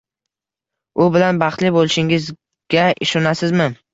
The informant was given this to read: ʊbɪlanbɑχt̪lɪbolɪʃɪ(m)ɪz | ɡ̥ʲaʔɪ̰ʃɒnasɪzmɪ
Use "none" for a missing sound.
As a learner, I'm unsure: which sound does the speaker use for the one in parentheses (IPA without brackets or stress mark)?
ŋ